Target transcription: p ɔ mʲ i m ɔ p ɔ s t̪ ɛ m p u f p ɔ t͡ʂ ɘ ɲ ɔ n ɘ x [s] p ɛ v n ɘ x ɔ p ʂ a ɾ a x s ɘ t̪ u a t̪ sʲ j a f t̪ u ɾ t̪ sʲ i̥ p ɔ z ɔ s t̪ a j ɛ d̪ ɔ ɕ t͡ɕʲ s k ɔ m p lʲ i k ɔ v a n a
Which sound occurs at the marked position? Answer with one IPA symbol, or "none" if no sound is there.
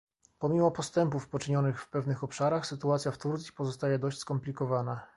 f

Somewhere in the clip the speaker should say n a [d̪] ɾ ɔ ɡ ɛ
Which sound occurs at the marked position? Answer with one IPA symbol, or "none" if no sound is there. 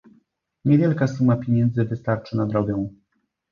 d̪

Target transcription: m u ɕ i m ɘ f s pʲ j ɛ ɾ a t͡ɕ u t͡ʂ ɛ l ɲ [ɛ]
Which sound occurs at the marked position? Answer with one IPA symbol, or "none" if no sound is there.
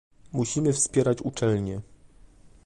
ɛ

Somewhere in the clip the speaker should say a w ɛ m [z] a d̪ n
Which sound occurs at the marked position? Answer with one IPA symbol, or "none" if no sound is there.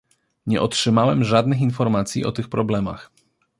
ʐ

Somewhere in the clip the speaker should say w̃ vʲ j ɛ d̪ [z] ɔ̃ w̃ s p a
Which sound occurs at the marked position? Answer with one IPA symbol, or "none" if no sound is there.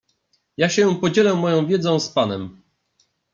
z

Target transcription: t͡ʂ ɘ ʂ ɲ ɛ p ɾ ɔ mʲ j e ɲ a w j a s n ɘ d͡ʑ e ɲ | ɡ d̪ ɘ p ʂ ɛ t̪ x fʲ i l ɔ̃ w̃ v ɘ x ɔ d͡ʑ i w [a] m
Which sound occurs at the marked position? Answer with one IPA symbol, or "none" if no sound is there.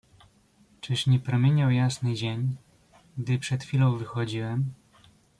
ɛ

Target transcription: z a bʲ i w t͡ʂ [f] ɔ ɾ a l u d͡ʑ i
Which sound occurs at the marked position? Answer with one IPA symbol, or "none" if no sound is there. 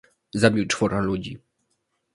f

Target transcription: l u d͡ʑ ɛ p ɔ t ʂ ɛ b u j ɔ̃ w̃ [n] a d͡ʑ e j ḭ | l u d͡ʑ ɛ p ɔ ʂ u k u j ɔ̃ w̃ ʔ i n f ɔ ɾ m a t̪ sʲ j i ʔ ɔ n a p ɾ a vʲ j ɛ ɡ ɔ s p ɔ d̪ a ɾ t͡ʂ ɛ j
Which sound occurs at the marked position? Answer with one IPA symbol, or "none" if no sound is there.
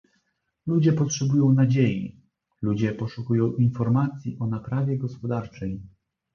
n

